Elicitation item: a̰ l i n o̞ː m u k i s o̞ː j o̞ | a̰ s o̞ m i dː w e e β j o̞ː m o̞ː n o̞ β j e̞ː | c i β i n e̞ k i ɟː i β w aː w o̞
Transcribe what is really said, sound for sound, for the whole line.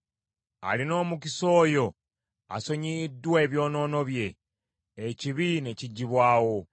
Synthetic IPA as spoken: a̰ l i n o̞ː m u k i s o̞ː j o̞ | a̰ s o̞ ɲ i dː w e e β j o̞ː n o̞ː n o̞ β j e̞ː | c i β i n e̞ c i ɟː i β w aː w o̞

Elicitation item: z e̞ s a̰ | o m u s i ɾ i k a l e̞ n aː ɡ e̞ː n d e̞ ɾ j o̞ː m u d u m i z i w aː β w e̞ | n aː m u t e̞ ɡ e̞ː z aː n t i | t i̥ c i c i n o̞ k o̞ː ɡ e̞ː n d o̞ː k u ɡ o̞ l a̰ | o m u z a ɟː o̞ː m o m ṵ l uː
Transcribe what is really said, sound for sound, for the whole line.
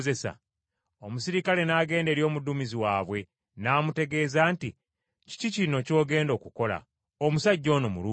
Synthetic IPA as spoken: z e̞ s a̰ | o m u s i ɾ i k a l e̞ n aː ɡ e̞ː n d e̞ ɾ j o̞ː m u d u m i z i w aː β w e̞ | n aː m u t e̞ ɡ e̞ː z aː n t i | c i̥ c i c i n o̞ c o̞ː ɡ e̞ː n d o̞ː k u k o̞ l a̰ | o m u s a ɟː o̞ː n o m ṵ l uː

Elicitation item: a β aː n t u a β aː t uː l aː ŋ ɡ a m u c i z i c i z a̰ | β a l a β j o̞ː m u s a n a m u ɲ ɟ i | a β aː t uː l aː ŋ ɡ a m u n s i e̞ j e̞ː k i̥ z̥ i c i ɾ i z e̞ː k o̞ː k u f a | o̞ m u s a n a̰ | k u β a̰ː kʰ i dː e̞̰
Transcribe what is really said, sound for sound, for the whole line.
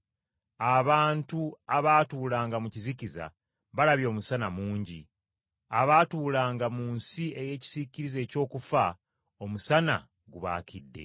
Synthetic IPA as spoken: a β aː n t u a β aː t uː l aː ŋ ɡ a m u c i z i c i z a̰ | β a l a β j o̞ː m u s a n a m uː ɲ ɟ i | a β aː t uː l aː ŋ ɡ a m u n s i e̞ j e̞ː c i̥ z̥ i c i ɾ i z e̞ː c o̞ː k u f a | o̞ m u s a n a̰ | ɡ u β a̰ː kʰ i dː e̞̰

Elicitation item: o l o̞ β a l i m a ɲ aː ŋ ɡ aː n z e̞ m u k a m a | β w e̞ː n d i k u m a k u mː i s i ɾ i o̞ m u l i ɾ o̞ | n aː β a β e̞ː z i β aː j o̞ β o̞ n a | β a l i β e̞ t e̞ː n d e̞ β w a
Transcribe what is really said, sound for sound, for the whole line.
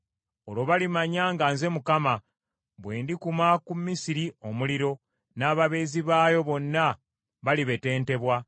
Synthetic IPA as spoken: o l o̞ β a l i m a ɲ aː ŋ ɡ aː n z e̞ m u k a m a | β w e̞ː n d i k u m a k u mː i s i ɾ i o̞ m u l i ɾ o̞ | n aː β a β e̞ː z i β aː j o̞ β o̞ nː a | β a l i β e̞ t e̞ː n t e̞ β w a

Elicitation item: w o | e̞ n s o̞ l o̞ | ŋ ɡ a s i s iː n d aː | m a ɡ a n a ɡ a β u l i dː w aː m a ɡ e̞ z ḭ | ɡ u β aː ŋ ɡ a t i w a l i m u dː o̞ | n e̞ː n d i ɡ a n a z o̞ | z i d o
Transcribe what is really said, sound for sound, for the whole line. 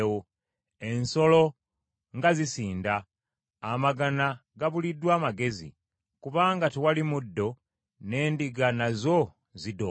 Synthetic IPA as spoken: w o | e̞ n s o̞ l o̞ | ŋ ɡ a z i s iː n d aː | m a ɡ a n a ɡ a β u l i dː w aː m a ɡ e̞ z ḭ | k u β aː ŋ ɡ a t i w a l i m u dː o̞ | n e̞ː n d i ɡ a n a z o̞ | z i d o

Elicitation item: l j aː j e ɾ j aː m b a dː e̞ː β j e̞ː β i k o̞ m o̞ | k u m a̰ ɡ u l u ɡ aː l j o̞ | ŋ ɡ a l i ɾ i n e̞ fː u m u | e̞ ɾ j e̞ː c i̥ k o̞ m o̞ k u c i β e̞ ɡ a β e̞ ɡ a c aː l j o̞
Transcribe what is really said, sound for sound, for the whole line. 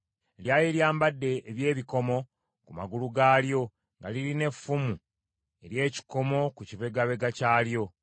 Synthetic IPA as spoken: l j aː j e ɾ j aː m b a dː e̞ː β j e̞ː β i k o̞ m o̞ | k u m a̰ ɡ u l u ɡ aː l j o̞ | ŋ ɡ a l i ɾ i n e̞ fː u m u | e̞ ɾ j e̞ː c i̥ k o̞ m o̞ k u c i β e̞ ɡ a β e̞ ɡ a c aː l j o̞

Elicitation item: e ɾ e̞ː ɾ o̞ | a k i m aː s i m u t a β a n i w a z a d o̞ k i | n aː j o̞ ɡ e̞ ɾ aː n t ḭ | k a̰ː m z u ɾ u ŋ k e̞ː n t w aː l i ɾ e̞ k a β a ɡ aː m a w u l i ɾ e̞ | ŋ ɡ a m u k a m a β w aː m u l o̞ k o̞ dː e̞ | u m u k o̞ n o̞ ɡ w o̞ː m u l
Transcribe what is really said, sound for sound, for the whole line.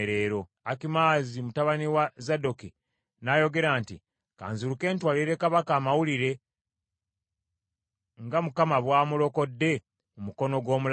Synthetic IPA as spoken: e ɾ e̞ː ɾ o̞ | a k i m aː z i m u t a β a n i w a z a d o̞ k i | n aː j o̞ ɡ e̞ ɾ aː n t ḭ | k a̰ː n z u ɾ u k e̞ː n t w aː l i ɾ e̞ k a β a k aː m a w u l i ɾ e̞ | ŋ ɡ a m u k a m a β w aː m u l o̞ k o̞ dː e̞ | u m u k o̞ n o̞ ɡ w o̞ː m u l

